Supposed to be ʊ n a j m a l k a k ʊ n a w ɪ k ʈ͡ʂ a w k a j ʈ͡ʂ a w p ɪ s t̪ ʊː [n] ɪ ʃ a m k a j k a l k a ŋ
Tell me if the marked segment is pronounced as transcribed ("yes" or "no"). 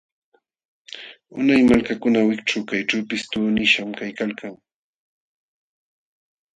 yes